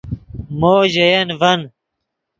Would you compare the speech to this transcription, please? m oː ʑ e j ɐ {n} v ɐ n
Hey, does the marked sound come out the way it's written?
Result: yes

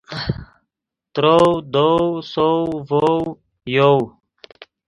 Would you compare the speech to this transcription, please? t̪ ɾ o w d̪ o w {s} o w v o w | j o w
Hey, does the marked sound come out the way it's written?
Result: yes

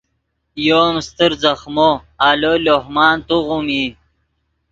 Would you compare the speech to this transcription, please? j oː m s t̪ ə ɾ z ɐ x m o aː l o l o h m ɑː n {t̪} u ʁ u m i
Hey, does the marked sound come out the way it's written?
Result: yes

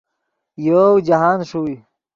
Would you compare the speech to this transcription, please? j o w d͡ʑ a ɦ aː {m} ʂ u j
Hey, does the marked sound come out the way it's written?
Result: no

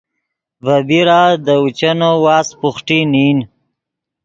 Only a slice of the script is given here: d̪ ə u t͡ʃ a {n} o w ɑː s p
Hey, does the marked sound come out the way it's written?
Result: yes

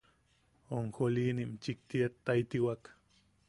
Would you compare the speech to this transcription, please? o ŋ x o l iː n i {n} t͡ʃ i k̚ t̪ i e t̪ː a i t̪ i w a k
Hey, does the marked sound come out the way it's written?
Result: no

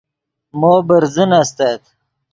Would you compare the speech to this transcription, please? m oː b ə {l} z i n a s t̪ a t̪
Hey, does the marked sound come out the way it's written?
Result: no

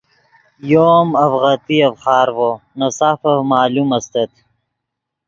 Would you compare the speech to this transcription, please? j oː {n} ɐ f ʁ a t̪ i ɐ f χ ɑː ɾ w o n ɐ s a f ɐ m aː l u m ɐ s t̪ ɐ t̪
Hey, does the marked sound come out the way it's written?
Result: no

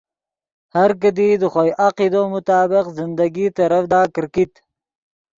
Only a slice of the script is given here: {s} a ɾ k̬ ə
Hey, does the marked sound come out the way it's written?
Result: no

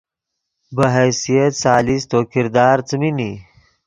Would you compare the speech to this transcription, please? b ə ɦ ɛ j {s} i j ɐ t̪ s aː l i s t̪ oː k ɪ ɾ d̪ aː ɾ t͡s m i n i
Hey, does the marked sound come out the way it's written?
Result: yes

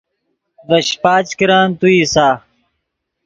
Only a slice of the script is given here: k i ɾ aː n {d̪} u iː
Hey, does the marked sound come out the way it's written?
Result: no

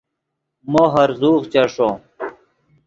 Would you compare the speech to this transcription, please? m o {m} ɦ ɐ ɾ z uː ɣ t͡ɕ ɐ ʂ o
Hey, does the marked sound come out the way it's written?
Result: no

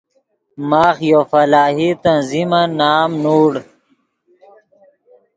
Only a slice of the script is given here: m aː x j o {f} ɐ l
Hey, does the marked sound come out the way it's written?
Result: yes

